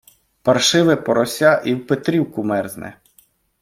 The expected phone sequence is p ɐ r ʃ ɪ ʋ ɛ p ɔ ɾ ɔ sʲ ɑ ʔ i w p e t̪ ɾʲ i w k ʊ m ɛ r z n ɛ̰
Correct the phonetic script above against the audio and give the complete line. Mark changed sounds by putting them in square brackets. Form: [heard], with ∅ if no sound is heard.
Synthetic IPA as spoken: p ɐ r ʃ ɪ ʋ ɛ p ɔ ɾ ɔ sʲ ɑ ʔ i w p e t̪ ɾʲ i w k ʊ m ɛ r z n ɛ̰